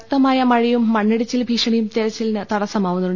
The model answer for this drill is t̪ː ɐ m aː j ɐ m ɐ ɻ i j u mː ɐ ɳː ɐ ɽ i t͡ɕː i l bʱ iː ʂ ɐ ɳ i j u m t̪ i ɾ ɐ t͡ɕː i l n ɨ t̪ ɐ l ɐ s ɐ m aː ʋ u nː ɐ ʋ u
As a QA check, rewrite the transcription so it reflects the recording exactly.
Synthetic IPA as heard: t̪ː ɐ m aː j ɐ m ɐ ɻ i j u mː ɐ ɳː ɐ ɽ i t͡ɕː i l bʱ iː ʂ ɐ ɳ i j u m t̪ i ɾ ɐ t͡ɕː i l n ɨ t̪ ɐ ɽ ɐ s ɐ m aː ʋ u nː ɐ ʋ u